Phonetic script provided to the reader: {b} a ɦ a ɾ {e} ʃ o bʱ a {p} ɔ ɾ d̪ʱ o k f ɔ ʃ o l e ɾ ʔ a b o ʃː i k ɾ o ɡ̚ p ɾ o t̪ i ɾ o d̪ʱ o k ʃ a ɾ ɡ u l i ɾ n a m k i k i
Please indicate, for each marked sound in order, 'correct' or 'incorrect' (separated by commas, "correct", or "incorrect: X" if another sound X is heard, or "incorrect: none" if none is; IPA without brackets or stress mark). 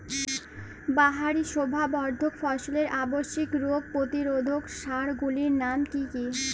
correct, incorrect: i, incorrect: b